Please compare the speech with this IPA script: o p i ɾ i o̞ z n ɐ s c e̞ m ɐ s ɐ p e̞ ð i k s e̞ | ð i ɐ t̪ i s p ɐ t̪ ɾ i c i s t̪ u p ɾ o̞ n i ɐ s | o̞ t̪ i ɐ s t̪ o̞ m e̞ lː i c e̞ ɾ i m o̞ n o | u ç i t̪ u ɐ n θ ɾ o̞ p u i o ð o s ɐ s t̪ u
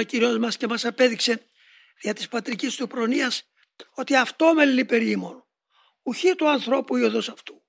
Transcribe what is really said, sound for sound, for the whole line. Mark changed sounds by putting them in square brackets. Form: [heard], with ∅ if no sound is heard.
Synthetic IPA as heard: o [c] i ɾ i o̞ z [m] ɐ s c e̞ m ɐ s ɐ p e̞ ð i k s e̞ | ð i ɐ t̪ i s p ɐ t̪ ɾ i c i s t̪ u p ɾ o̞ n i ɐ s | o̞ t̪ i ɐ [f] t̪ o̞ m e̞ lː i [p] e̞ ɾ i m o̞ n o | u ç i t̪ u ɐ n θ ɾ o̞ p u i o ð o s ɐ [f] t̪ u